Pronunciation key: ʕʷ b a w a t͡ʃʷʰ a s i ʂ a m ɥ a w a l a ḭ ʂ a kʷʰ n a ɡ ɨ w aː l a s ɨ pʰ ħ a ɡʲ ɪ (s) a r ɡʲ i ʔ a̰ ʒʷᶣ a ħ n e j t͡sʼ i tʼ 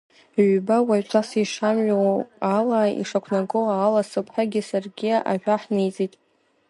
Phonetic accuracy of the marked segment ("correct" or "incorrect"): correct